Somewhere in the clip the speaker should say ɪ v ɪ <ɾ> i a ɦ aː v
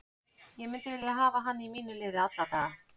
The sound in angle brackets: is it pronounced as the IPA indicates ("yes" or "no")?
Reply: no